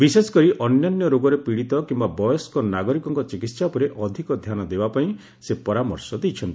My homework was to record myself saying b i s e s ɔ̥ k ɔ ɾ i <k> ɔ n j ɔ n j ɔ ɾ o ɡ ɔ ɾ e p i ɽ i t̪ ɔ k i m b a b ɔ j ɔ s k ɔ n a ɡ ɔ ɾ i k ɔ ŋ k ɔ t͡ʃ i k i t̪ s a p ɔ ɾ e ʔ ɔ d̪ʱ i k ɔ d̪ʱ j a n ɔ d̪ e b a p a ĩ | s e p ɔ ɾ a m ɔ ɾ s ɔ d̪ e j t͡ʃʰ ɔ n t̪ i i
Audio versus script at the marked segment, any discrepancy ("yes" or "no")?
yes